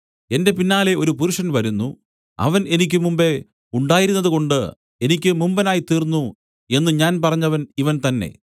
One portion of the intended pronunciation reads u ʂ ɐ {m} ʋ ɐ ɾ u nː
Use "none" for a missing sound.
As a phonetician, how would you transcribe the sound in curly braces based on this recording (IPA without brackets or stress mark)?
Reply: n